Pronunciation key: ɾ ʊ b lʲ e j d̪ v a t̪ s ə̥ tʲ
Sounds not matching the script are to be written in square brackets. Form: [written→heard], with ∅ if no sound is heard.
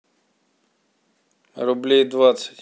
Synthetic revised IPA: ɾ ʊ b lʲ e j d̪ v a t̪ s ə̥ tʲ